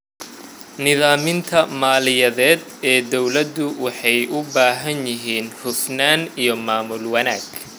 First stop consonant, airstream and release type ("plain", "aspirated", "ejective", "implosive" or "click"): aspirated